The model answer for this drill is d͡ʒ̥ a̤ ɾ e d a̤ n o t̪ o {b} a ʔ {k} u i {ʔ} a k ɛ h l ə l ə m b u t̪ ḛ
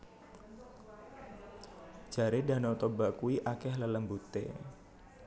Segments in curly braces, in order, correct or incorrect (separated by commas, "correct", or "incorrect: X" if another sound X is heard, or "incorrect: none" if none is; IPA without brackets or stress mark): correct, correct, correct